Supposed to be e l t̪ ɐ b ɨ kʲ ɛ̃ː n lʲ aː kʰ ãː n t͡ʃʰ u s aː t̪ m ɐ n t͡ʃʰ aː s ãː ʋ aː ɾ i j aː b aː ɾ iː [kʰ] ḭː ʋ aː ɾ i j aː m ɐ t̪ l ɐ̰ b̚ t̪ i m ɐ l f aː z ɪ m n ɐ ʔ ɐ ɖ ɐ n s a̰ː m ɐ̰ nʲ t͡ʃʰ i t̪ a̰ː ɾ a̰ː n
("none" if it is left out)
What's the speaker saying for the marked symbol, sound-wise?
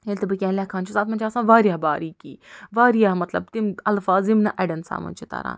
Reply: k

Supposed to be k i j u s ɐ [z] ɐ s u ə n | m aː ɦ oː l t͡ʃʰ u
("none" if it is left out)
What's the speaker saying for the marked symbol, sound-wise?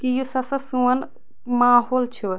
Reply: s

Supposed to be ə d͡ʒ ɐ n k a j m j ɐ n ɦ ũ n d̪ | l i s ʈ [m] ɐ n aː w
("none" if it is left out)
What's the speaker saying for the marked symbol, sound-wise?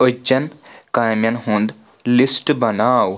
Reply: b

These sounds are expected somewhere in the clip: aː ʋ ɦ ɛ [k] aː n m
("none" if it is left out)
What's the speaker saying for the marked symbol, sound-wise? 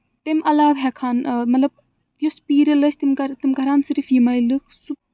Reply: kʰ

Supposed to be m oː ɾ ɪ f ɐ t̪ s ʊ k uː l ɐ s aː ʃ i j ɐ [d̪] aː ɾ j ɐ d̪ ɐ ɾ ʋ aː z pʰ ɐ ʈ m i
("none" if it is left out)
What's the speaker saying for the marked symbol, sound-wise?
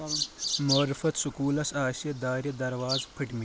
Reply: d̪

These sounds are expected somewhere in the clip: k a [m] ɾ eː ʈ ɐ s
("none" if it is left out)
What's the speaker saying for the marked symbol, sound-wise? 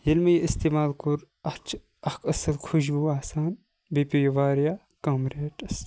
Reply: m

